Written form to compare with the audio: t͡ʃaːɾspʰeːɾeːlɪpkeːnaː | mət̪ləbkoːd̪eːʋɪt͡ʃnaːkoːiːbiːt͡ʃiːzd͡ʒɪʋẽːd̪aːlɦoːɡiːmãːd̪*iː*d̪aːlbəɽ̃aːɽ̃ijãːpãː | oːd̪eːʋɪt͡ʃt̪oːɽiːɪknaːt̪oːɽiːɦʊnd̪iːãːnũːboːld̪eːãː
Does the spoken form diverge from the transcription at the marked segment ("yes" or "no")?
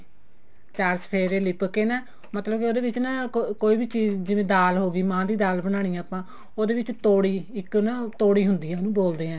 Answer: no